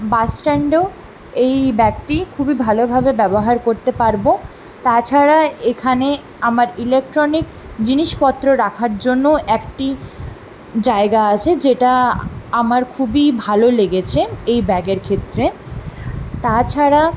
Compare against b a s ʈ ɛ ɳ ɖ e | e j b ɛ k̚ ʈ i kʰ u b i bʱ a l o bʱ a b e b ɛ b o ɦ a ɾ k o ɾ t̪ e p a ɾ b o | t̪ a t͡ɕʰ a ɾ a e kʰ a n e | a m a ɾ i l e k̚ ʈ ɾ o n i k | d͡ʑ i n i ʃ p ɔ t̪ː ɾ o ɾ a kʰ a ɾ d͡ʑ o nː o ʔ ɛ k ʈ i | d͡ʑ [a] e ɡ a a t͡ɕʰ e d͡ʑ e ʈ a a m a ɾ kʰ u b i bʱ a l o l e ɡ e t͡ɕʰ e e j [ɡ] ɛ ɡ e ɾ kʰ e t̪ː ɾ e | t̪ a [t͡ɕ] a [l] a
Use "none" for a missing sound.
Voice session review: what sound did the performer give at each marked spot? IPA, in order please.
a, b, t͡ɕʰ, ɾ

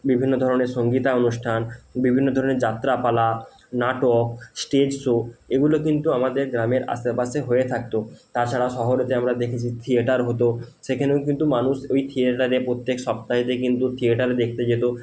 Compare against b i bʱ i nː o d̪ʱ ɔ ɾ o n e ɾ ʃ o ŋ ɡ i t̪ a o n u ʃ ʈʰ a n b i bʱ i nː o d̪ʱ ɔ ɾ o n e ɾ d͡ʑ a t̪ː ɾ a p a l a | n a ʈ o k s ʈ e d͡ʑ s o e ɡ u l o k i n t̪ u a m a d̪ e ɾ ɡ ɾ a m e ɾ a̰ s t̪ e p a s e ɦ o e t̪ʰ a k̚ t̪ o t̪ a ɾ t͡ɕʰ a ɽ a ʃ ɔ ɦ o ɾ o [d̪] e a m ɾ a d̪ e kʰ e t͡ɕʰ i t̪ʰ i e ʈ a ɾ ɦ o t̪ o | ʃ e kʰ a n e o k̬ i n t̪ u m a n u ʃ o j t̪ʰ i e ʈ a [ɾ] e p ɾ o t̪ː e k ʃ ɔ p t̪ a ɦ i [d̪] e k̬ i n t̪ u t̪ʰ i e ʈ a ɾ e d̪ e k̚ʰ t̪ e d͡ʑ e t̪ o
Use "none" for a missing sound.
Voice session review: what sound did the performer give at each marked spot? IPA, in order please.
t̪, ɾ, t̪

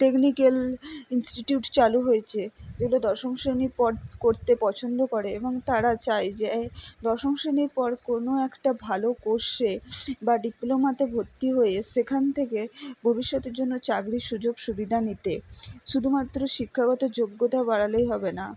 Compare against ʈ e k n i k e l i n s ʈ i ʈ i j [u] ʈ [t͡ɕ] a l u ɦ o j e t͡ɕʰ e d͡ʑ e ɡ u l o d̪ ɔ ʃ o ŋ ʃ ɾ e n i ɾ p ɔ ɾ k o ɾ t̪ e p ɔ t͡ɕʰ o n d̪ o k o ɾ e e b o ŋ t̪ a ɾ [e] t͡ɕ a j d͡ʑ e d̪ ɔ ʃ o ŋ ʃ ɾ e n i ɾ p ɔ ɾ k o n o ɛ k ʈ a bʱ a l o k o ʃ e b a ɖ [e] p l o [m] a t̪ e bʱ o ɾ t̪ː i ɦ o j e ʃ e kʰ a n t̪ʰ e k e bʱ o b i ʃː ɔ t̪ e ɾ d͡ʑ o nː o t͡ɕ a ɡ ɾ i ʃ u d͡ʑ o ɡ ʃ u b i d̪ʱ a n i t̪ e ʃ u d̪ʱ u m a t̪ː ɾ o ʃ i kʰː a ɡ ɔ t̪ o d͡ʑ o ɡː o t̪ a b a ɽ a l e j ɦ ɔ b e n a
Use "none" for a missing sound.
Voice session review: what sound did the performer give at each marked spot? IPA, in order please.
u, t͡ɕ, a, i, m

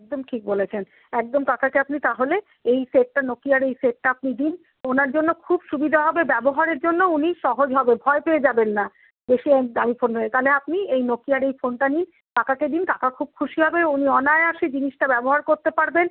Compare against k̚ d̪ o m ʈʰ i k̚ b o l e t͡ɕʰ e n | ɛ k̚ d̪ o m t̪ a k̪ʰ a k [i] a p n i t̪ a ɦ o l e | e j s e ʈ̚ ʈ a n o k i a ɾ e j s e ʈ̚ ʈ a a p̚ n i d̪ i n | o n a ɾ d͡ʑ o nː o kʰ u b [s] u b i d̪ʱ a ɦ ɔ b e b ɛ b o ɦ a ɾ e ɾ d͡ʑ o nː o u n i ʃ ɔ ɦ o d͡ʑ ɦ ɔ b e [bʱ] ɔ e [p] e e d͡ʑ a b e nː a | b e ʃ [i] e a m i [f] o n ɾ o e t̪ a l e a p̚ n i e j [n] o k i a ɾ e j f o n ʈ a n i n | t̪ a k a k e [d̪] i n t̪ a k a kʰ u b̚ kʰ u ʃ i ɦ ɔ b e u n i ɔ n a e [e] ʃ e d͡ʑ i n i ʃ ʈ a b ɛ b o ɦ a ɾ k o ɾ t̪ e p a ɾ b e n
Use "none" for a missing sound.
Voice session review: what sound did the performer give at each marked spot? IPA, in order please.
e, ʃ, bʱ, p, i, f, n, d̪, a

